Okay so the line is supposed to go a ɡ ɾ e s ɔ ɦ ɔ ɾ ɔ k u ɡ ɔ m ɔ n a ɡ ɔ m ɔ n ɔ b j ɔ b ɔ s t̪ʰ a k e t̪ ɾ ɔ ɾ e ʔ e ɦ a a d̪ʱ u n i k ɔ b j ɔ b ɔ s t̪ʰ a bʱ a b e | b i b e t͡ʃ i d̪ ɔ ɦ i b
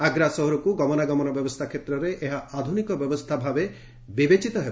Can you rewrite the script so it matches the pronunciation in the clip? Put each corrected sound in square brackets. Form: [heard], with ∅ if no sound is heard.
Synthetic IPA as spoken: a ɡ ɾ [a] s ɔ ɦ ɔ ɾ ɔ k u ɡ ɔ m ɔ n a ɡ ɔ m ɔ n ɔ b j ɔ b ɔ s t̪ʰ a [kʰ] e t̪ ɾ ɔ ɾ e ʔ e ɦ a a d̪ʱ u n i k ɔ b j ɔ b ɔ s t̪ʰ a bʱ a b e | b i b e t͡ʃ i [t̪] ɔ ɦ [e] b